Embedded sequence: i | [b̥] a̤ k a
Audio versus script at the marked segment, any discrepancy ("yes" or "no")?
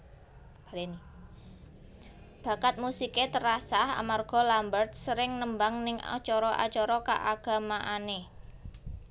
no